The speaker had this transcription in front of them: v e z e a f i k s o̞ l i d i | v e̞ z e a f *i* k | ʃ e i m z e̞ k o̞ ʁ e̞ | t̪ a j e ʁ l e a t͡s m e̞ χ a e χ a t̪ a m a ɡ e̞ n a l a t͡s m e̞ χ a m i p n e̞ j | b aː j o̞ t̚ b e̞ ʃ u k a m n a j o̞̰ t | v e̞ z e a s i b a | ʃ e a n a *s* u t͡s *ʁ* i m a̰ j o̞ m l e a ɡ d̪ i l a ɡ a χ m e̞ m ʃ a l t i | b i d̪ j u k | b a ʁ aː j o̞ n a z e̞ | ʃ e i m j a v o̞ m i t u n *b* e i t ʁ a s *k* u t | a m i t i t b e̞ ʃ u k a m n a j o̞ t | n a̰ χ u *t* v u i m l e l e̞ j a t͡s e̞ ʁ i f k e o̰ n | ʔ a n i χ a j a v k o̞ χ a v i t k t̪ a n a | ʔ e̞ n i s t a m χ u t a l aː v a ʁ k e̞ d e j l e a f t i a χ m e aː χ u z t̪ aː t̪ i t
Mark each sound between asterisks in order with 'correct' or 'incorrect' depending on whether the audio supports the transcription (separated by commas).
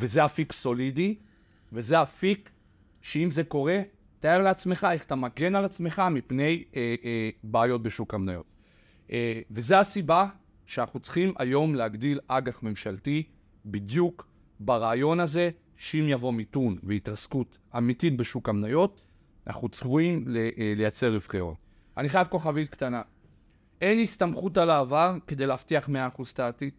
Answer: correct, incorrect, incorrect, incorrect, correct, incorrect